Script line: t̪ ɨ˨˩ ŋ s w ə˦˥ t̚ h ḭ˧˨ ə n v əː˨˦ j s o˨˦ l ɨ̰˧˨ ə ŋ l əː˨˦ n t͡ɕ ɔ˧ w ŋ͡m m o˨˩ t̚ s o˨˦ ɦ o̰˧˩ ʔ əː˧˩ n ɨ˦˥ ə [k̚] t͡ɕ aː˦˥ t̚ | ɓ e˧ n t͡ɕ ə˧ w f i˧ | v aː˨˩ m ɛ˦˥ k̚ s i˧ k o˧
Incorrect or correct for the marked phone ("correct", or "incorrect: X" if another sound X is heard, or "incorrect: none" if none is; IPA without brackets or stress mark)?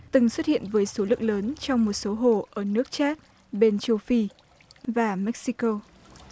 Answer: correct